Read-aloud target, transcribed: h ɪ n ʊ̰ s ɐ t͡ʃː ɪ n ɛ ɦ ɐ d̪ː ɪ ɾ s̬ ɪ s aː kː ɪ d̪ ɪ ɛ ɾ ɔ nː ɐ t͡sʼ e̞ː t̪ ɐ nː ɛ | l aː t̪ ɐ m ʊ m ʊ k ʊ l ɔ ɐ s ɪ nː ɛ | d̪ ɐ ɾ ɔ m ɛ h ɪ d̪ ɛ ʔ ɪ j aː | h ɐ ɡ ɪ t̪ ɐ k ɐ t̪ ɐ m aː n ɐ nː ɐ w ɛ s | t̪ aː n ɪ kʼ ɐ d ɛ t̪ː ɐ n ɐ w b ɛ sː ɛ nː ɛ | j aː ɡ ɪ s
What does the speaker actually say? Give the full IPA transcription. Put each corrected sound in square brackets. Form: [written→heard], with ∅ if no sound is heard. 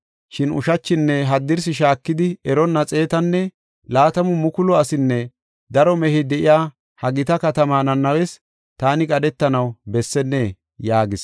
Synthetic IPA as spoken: [h→ʃ] ɪ n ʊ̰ [s→ʃ] ɐ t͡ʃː ɪ [n→nː] ɛ ɦ ɐ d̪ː ɪ ɾ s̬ ɪ [s→ʃ] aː kː ɪ d̪ ɪ ɛ ɾ ɔ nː ɐ t͡sʼ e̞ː t̪ ɐ nː ɛ | l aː t̪ ɐ m ʊ m ʊ k ʊ l ɔ ɐ s ɪ nː ɛ | d̪ ɐ ɾ ɔ m ɛ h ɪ d̪ ɛ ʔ ɪ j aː | h ɐ ɡ ɪ t̪ ɐ k ɐ t̪ ɐ m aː n ɐ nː ɐ w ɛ s | t̪ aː n ɪ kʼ ɐ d ɛ t̪ː ɐ n ɐ w b ɛ sː ɛ nː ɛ | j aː ɡ ɪ s

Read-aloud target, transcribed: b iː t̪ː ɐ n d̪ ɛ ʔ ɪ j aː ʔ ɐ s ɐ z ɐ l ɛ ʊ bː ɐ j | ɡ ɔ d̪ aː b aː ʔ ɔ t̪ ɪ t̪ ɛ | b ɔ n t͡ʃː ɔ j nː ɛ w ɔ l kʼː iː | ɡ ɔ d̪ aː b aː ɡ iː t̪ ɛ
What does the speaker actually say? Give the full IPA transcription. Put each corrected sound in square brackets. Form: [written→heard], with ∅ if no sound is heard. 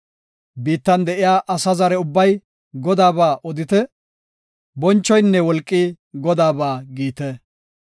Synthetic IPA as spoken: b iː t̪ː ɐ n d̪ ɛ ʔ ɪ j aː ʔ ɐ s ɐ z ɐ [l→ɾ] ɛ ʊ bː ɐ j | ɡ ɔ d̪ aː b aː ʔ ɔ [t̪→d̪] ɪ t̪ ɛ | b ɔ n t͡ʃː ɔ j nː ɛ w ɔ l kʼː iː | ɡ ɔ d̪ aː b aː ɡ iː t̪ ɛ

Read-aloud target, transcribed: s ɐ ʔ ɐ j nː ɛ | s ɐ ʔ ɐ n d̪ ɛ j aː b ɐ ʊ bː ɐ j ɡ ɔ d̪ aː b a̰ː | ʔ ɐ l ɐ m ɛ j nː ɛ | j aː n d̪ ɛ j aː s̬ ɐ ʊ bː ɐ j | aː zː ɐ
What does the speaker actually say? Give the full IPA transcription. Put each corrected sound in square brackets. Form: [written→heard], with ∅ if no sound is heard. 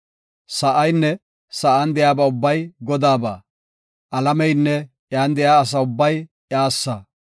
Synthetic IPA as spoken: s ɐ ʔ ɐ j nː ɛ | s ɐ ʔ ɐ n d̪ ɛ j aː b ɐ ʊ bː ɐ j ɡ ɔ d̪ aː b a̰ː | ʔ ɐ l ɐ m ɛ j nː ɛ | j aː n d̪ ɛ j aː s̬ ɐ ʊ bː ɐ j | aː [zː→sː] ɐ

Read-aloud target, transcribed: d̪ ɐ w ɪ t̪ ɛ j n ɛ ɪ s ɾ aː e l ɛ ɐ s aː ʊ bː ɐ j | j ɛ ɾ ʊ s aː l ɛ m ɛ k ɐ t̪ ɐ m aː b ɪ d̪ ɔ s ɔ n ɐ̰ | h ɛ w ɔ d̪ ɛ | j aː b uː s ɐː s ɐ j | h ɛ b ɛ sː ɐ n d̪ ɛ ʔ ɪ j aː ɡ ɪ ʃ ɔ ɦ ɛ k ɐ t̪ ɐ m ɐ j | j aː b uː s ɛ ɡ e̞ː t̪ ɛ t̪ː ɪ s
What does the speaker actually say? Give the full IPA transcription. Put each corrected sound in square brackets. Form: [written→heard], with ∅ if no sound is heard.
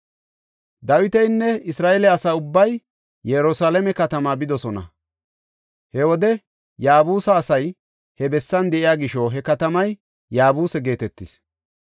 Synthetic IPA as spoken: d̪ ɐ w ɪ t̪ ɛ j [n→nː] ɛ ɪ s ɾ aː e l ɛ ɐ s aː ʊ bː ɐ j | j ɛ ɾ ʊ s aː l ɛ m ɛ k ɐ t̪ ɐ m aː b ɪ d̪ ɔ s ɔ n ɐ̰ | h ɛ w ɔ d̪ ɛ | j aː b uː s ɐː s ɐ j | h ɛ b ɛ sː ɐ n d̪ ɛ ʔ ɪ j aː ɡ ɪ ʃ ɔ ɦ ɛ k ɐ t̪ ɐ m ɐ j | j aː b uː s ɛ ɡ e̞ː t̪ ɛ t̪ː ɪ s

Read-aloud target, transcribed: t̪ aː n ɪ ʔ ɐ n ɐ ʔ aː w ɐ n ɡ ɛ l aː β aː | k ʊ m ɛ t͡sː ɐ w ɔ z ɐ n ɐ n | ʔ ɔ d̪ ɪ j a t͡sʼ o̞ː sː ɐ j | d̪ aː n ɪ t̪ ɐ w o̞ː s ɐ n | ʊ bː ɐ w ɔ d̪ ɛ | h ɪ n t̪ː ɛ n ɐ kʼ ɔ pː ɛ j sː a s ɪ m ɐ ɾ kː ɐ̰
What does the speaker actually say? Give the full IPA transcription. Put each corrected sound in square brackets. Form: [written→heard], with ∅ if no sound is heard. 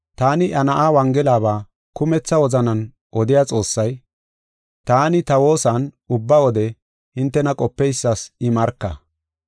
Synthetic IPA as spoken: t̪ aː n ɪ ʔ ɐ n ɐ ʔ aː w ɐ [n→ŋ] ɡ ɛ l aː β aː | k ʊ m ɛ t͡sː ɐ w ɔ z ɐ n ɐ n | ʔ ɔ d̪ ɪ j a t͡sʼ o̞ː sː ɐ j | [d̪→t̪] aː n ɪ t̪ ɐ w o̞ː s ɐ n | ʊ bː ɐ w ɔ d̪ ɛ | h ɪ n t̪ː ɛ n ɐ kʼ ɔ pː ɛ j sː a s ɪ m ɐ ɾ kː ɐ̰

